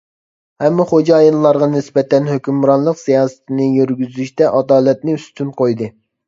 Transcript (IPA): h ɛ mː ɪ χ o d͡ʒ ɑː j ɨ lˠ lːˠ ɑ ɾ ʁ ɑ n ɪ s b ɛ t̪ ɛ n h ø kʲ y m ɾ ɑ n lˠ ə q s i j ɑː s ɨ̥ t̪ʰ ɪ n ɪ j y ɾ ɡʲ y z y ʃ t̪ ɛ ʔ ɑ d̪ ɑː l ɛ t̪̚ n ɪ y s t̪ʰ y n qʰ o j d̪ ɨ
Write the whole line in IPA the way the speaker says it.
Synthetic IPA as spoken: h ɛ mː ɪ χ o d͡ʒ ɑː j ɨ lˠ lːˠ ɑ ɾ ʁ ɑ n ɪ s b ɛ t̪ ɛ n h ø kʲ y m ɾ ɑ n lˠ ə q s i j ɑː s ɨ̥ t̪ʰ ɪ n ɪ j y ɾ ɡʲ y z y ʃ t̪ ɛ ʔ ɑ d̪ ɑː l ɛ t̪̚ n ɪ y s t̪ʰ y n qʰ o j d̪ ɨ